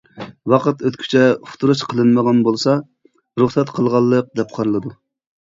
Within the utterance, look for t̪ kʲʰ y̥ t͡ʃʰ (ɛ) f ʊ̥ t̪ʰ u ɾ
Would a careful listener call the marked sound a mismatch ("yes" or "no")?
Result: no